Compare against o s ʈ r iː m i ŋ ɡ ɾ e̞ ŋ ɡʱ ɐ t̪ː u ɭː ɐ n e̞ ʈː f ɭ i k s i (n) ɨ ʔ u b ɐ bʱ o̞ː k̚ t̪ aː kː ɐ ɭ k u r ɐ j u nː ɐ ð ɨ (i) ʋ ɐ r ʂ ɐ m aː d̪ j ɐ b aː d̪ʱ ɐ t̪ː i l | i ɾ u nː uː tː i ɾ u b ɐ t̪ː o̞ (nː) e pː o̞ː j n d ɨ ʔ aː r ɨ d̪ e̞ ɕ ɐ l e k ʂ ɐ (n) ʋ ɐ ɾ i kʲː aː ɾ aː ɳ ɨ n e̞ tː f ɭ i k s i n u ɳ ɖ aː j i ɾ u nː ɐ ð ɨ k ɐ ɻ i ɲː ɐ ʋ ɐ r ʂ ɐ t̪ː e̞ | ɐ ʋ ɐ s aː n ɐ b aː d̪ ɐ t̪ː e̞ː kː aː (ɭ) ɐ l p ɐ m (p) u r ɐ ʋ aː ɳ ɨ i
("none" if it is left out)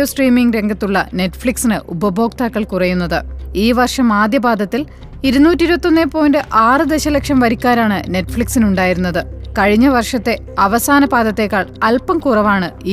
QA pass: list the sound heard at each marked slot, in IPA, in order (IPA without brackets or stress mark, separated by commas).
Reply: n, iː, nː, m, ɭ, k